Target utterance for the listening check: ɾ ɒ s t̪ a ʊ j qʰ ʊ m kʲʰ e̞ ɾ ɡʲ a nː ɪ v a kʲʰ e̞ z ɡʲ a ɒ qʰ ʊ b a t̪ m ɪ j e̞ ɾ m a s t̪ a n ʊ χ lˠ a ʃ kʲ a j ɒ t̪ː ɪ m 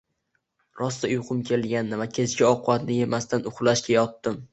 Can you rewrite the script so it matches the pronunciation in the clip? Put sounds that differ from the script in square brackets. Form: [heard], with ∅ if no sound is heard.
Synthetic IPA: ɾ ɒ s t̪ a ʊ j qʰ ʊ m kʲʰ e̞ [l] ɡʲ a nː ɪ v a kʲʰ e̞ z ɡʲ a ɒ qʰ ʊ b a t̪ [n] ɪ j e̞ [∅] m a s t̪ a n ʊ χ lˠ a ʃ kʲ a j ɒ t̪ː ɪ m